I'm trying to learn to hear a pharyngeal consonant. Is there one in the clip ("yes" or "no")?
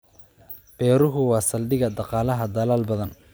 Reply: no